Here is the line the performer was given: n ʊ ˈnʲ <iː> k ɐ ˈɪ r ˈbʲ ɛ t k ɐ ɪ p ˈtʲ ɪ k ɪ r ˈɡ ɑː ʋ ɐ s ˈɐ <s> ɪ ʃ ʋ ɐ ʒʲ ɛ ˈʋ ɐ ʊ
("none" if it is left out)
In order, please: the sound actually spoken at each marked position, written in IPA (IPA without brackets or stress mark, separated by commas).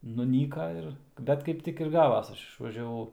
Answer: iː, ʃ